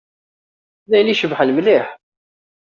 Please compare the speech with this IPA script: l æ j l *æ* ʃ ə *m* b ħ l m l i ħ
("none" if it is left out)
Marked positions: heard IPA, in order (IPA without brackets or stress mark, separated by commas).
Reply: i, none